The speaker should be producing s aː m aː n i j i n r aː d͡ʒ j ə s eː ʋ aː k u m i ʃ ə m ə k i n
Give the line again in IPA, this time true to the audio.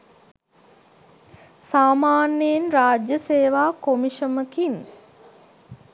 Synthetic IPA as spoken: s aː m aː n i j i n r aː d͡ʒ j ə s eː ʋ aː k o m i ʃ ə m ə k i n